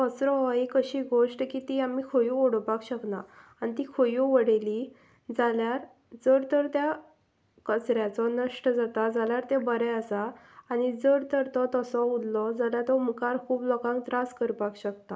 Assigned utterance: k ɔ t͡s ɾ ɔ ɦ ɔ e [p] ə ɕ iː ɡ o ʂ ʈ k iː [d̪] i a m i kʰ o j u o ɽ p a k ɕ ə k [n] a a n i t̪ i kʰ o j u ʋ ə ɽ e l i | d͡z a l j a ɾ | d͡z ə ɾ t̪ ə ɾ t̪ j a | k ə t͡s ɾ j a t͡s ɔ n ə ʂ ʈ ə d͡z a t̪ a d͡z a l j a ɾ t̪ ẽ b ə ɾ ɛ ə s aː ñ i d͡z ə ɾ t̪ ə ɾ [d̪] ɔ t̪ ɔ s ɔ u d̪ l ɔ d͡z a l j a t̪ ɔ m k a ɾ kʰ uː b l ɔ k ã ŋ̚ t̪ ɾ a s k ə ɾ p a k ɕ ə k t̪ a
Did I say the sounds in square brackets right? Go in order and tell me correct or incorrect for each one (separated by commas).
incorrect, incorrect, correct, incorrect